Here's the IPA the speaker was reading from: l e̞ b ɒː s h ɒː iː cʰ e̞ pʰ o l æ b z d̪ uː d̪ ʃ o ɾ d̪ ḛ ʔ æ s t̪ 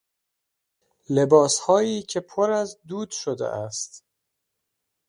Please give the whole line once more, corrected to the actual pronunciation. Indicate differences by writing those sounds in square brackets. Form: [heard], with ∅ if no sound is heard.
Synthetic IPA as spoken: l e̞ b ɒː s h ɒː iː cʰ e̞ pʰ o [ɾ] æ [∅] z d̪ uː d̪ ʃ o [∅] d̪ ḛ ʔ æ s t̪